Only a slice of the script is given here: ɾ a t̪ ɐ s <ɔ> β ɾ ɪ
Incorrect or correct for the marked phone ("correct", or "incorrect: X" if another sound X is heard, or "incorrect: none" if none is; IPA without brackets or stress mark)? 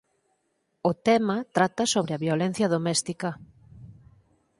incorrect: o